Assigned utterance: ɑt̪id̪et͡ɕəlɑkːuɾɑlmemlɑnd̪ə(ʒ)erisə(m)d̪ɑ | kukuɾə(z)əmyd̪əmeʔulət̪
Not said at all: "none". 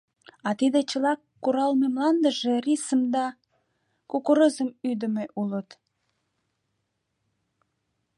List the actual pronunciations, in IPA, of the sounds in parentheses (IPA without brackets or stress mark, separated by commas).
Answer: ʒ, m, z